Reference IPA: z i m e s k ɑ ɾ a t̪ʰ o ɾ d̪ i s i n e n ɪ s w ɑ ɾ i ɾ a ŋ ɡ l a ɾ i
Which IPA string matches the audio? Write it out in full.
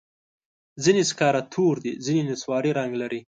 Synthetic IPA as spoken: z i n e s k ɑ ɾ a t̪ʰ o ɾ d̪ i z i n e n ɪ s w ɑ ɾ i ɾ a ŋ ɡ l a ɾ i